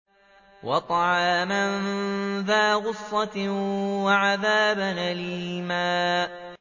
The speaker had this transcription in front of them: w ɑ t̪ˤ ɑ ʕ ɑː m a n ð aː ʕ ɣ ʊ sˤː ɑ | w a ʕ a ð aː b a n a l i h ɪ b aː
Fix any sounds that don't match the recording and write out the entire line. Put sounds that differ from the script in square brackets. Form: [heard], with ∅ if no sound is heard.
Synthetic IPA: w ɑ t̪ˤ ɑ ʕ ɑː m a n ð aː [∅] ɣ ʊ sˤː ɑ | w a ʕ a ð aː b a n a l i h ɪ [m] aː